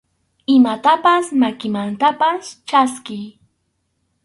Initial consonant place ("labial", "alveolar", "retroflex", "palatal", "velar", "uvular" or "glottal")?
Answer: labial